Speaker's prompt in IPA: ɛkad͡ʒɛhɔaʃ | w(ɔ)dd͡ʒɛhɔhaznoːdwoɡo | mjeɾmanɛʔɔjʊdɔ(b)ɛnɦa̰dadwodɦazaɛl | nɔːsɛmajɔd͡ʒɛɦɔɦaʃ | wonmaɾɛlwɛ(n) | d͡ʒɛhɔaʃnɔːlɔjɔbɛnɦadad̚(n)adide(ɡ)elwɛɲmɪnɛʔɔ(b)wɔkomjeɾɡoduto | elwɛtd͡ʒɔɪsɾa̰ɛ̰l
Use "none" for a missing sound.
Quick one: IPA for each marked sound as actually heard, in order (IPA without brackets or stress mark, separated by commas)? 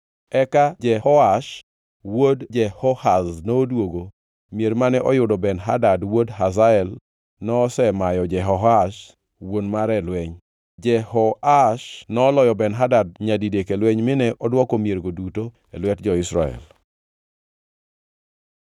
o, b, ɲ, ɲ, k, d